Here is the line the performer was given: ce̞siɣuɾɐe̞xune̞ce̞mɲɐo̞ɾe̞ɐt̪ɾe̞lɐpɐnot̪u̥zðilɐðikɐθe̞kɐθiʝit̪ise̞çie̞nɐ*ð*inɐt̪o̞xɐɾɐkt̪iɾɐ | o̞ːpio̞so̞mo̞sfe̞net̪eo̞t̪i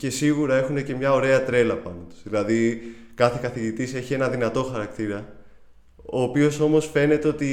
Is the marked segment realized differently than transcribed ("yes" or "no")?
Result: no